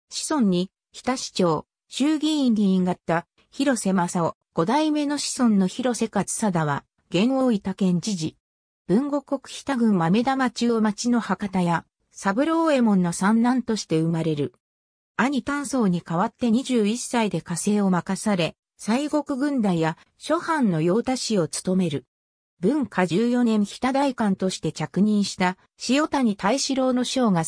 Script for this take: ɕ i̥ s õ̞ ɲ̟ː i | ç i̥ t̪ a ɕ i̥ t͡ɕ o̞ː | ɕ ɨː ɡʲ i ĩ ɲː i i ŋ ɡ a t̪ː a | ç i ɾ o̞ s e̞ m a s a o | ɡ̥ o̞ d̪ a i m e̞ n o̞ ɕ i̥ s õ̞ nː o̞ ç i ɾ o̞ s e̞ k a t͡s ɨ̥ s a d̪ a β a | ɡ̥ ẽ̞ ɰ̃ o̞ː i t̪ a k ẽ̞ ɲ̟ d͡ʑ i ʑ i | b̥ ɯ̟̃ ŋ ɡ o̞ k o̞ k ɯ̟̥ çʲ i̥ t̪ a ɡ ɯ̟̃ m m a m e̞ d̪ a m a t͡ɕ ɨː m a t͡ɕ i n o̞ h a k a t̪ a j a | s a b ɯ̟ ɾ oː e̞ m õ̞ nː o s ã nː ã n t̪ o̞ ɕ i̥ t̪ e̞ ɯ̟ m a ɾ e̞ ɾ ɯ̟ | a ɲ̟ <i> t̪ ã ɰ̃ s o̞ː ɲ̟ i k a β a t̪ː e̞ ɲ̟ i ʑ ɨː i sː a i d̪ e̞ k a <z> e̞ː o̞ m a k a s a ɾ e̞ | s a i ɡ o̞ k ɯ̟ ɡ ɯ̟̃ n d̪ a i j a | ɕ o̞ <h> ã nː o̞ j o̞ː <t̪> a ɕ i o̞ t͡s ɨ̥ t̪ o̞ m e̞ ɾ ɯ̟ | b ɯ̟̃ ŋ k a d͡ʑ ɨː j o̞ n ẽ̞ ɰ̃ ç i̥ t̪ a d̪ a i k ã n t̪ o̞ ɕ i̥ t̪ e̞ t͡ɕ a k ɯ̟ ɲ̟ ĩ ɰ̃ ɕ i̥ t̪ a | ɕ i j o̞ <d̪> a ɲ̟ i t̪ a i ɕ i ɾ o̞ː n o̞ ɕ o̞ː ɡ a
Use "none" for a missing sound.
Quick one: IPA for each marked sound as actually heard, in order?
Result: i, s, h, t̪, t̪

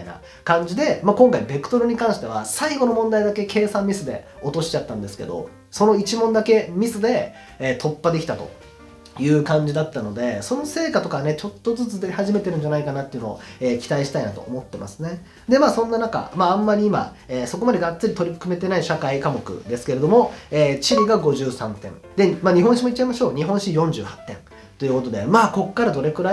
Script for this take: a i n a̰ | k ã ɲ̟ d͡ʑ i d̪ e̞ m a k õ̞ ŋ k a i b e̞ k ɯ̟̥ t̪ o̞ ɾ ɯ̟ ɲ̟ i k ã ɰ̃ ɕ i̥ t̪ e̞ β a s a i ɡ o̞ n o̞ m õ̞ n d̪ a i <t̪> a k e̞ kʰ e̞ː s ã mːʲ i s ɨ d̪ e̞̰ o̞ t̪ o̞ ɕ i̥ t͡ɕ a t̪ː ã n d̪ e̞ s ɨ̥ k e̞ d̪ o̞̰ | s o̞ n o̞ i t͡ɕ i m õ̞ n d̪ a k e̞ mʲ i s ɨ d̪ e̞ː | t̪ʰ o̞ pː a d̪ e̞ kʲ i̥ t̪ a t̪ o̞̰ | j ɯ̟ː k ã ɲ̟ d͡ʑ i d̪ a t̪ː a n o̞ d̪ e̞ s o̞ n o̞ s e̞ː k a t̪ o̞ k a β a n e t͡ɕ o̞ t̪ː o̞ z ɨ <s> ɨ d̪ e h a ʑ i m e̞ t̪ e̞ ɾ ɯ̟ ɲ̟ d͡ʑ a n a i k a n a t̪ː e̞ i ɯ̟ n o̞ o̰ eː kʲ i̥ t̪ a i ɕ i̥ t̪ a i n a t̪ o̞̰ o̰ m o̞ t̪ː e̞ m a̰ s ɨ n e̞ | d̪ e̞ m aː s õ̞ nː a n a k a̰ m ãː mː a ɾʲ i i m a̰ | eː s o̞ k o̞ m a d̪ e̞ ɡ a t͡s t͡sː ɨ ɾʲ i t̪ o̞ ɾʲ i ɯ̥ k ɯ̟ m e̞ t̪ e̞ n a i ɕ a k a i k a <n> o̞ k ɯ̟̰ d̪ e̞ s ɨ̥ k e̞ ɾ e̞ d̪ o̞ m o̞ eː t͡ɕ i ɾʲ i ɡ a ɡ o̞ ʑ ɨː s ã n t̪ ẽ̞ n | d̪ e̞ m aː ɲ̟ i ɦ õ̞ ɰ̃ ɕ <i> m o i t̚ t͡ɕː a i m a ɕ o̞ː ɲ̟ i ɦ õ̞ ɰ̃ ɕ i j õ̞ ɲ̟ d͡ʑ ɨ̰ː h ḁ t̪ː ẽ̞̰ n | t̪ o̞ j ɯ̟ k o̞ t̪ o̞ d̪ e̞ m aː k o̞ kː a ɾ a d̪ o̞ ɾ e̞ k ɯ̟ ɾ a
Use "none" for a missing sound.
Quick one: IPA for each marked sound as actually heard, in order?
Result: d̪, t͡s, m, i

